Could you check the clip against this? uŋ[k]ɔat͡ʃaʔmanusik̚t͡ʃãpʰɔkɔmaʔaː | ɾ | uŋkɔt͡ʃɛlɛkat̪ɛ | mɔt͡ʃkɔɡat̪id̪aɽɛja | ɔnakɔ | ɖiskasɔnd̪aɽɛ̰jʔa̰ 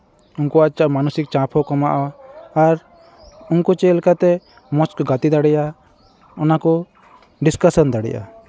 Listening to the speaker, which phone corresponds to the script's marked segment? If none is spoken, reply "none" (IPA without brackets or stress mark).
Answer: k